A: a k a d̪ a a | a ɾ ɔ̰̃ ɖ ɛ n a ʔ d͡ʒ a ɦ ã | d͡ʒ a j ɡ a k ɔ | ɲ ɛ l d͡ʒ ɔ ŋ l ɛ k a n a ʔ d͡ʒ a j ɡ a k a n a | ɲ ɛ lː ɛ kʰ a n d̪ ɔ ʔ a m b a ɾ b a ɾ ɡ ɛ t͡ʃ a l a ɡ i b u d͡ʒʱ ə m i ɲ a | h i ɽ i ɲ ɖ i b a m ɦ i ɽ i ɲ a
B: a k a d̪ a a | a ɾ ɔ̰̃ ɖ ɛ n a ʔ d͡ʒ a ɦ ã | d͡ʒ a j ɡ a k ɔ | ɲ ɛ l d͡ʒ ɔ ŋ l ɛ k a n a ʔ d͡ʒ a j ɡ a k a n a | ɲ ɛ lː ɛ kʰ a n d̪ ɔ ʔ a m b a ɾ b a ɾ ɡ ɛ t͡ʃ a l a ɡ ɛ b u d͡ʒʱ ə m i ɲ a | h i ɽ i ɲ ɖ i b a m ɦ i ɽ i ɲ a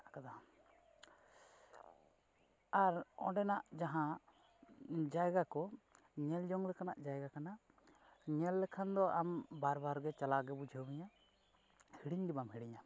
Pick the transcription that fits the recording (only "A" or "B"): B